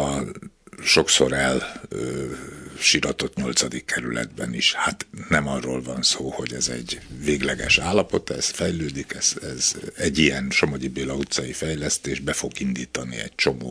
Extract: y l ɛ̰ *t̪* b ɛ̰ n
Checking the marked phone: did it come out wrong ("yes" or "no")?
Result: yes